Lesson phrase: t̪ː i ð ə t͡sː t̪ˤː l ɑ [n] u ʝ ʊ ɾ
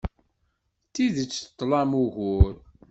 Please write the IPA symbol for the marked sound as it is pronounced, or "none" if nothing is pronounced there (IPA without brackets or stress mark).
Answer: m